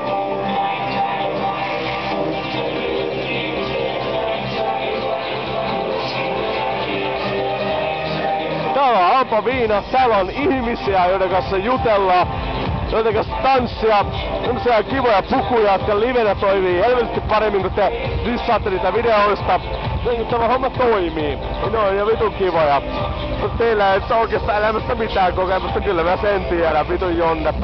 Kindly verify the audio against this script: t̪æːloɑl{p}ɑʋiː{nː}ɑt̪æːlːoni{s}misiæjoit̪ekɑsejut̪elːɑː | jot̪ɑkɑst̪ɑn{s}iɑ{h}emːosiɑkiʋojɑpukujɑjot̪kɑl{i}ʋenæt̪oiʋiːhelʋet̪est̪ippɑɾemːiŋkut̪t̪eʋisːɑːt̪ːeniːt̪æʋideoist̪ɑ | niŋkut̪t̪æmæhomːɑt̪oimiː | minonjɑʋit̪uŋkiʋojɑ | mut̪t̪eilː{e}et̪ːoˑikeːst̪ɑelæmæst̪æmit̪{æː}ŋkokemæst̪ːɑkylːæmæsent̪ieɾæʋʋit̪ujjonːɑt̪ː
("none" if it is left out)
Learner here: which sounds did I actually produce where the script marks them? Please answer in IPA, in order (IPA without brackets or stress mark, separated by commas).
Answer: p, n, h, sː, s, i, æ, æː